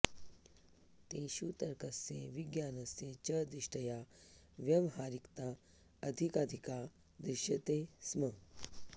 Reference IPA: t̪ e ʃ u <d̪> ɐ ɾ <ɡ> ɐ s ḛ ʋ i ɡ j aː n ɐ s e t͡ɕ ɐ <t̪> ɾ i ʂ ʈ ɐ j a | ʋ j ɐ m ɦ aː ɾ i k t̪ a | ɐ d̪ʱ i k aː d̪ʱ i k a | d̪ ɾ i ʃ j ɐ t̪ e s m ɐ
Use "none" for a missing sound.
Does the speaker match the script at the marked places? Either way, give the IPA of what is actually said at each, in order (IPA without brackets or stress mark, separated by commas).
t̪, k, d̪